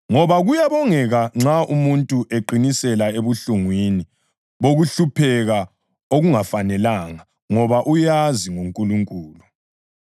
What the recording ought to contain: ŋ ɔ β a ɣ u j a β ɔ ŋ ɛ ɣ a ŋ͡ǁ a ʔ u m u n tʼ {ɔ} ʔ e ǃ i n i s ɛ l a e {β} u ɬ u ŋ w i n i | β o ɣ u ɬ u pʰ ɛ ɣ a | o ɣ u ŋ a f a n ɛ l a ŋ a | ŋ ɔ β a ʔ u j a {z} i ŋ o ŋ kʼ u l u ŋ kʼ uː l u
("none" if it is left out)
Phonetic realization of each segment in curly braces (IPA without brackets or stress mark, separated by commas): u, β, z